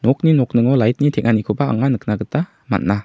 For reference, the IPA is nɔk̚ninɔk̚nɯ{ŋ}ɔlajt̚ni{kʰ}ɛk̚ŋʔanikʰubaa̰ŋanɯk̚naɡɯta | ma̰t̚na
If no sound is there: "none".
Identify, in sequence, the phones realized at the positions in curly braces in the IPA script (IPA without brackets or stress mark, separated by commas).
ŋ, tʰ